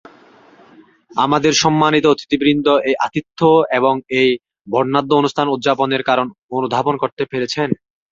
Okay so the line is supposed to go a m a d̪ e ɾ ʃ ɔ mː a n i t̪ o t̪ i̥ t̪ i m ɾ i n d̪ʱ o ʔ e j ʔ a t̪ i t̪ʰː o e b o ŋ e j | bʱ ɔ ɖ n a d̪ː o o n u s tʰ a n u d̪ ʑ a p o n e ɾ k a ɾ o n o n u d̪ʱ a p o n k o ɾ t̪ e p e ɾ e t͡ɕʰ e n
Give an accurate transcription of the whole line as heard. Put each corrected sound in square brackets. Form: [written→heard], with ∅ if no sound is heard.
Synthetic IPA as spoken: a m a d̪ e ɾ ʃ ɔ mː a n i t̪ o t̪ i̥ t̪ i [m→b] ɾ i n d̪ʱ o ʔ e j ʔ a t̪ i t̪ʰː o e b o ŋ e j | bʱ ɔ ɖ n a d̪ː o o n u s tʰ a n u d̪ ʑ a p o n e ɾ k a ɾ o n o n u d̪ʱ a p o n k o ɾ t̪ e p e ɾ e t͡ɕʰ e n